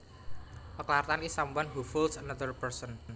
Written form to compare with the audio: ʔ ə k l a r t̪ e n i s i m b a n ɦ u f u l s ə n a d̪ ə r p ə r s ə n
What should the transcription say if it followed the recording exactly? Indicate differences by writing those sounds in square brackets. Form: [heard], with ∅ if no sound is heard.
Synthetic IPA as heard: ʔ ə k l a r t̪ [a] n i s [a] m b a n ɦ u f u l s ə n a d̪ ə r p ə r s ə n